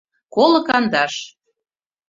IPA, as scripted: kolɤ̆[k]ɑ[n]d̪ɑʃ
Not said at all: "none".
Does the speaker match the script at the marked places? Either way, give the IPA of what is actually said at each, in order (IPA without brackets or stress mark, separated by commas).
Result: k, n